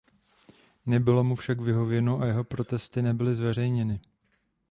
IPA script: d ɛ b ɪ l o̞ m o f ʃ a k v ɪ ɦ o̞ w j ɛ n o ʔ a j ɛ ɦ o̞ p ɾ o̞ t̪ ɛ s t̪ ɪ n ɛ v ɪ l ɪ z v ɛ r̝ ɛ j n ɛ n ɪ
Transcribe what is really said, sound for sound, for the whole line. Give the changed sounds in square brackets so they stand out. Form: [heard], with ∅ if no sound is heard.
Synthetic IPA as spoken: [n] ɛ b ɪ l o̞ m [u] f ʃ a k v ɪ ɦ o̞ [v] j ɛ n o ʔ a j ɛ ɦ o̞ p ɾ o̞ t̪ ɛ s t̪ ɪ n ɛ [b] ɪ l ɪ z v ɛ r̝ ɛ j [ɲ] ɛ n ɪ